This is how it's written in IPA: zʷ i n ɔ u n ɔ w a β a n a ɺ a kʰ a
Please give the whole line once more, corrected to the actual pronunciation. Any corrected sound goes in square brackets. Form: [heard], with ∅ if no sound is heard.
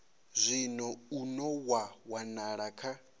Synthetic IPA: zʷ i n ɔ u n ɔ w a [w] a n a ɺ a kʰ a